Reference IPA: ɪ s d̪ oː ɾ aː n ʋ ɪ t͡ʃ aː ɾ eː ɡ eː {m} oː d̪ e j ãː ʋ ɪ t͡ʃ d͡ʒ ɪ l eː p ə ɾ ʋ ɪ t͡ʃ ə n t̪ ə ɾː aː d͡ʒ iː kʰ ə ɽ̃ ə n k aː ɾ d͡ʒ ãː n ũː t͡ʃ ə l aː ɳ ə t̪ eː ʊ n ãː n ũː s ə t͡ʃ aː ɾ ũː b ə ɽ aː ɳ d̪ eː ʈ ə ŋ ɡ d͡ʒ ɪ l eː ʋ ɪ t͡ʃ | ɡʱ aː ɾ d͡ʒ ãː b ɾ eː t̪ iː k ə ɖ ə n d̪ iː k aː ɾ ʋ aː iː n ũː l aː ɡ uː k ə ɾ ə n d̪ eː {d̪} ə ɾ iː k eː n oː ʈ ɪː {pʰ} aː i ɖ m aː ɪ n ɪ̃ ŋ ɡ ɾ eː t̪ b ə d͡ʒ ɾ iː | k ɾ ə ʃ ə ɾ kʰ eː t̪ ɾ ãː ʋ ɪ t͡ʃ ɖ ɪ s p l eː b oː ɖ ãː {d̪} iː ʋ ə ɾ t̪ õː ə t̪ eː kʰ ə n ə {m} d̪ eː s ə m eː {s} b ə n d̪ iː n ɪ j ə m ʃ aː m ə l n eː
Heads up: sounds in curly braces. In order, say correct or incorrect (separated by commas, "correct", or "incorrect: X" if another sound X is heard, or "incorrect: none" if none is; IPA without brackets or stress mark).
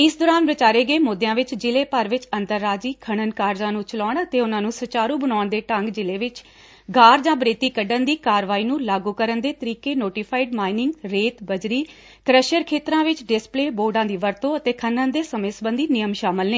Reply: correct, incorrect: t̪, correct, correct, incorrect: n, correct